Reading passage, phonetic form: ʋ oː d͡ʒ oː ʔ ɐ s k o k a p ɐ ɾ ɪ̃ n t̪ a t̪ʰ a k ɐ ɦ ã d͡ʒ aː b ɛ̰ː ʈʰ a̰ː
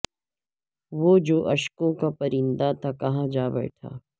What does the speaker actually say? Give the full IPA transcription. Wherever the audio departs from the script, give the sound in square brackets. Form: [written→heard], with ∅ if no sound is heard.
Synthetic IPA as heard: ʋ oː d͡ʒ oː ʔ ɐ [s→ʃ] k [o→õ] k a p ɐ ɾ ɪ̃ n [t̪→d̪] a t̪ʰ a k ɐ ɦ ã d͡ʒ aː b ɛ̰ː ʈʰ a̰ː